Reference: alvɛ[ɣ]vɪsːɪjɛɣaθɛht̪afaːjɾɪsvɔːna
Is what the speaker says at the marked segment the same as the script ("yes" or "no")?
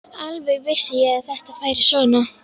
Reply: yes